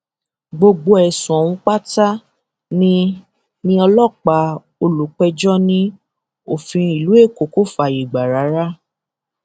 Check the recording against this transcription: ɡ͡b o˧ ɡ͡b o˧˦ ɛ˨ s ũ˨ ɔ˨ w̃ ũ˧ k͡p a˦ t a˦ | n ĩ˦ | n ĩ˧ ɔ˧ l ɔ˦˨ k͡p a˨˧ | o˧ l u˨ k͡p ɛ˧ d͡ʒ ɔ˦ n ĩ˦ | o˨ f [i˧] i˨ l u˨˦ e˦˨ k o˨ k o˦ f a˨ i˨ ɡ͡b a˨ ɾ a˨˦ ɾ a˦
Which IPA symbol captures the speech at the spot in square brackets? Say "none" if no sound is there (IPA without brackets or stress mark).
ĩ˧